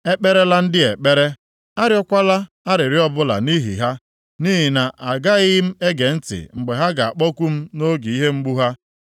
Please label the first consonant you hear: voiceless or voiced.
voiceless